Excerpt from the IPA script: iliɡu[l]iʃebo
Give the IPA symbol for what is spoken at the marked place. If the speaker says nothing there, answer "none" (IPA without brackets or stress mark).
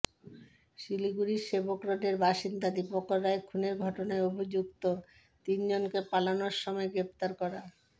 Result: ɾ